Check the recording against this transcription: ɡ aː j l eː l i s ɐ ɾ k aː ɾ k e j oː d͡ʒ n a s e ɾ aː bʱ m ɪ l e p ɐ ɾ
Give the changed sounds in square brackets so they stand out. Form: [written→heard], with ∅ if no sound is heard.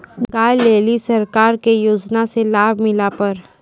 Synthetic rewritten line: ɡ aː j l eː l i s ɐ ɾ k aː ɾ k e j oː d͡ʒ n a s e [ɾ→l] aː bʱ m ɪ l [e→a] p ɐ ɾ